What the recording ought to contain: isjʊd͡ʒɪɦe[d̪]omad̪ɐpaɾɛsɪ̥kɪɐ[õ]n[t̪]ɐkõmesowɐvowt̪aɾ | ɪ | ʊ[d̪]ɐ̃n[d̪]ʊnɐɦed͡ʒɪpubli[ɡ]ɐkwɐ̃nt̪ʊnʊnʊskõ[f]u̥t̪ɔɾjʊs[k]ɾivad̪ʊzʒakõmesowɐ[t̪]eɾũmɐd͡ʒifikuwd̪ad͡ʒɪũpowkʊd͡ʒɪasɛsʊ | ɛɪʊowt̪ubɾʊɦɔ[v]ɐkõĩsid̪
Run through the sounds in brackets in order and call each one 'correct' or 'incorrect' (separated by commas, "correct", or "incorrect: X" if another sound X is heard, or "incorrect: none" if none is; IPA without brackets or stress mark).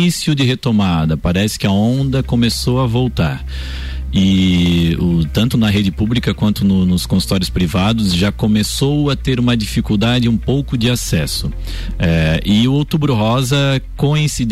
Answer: incorrect: t̪, correct, incorrect: d̪, incorrect: t̪, incorrect: t̪, incorrect: k, incorrect: s, incorrect: p, correct, incorrect: z